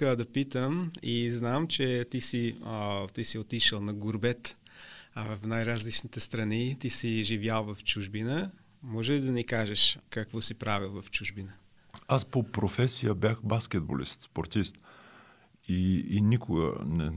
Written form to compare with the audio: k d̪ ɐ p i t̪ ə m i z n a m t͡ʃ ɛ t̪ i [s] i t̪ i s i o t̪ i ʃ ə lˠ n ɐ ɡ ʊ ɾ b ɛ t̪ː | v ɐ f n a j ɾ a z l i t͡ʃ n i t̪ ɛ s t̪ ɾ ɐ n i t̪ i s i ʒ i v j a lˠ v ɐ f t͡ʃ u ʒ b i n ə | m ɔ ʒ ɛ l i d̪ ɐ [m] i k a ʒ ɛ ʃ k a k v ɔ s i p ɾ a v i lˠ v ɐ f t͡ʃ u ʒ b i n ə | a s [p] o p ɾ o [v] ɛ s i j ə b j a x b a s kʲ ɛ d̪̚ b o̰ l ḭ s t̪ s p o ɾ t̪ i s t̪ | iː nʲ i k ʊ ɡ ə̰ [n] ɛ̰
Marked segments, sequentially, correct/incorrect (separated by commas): correct, incorrect, correct, incorrect, correct